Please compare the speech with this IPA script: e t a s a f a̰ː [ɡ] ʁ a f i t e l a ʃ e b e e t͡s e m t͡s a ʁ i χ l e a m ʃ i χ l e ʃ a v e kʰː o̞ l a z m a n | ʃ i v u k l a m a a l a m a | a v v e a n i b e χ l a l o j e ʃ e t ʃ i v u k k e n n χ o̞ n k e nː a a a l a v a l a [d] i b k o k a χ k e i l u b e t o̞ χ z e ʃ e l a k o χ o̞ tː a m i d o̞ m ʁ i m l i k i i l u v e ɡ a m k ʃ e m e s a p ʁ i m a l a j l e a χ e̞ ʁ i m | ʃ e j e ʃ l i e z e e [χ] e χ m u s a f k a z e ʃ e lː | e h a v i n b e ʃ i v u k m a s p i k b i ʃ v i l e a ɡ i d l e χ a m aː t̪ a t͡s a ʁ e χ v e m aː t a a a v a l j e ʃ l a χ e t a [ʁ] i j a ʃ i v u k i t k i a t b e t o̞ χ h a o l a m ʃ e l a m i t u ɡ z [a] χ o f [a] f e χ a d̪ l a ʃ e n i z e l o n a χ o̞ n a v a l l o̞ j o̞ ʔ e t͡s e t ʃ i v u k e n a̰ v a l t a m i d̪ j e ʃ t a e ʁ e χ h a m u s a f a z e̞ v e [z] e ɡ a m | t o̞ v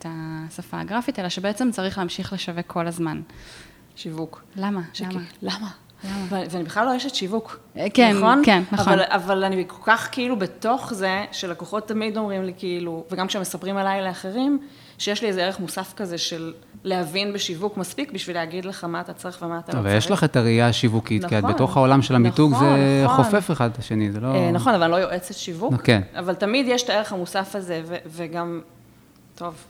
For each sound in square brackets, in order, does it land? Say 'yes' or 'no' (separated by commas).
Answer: yes, no, no, yes, no, no, no